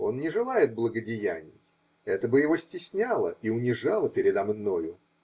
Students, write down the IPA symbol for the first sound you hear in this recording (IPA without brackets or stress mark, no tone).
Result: o̞